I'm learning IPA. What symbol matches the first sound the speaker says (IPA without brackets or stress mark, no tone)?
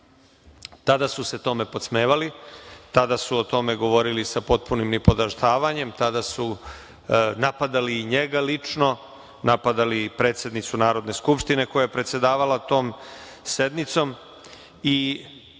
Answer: t̪